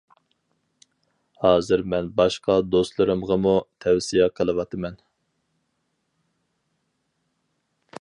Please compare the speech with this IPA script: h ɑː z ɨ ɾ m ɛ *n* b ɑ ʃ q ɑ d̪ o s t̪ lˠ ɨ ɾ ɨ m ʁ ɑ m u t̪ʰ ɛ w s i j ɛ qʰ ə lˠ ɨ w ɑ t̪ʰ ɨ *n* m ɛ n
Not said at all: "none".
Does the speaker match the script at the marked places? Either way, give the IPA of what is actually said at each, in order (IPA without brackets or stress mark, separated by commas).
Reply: n, none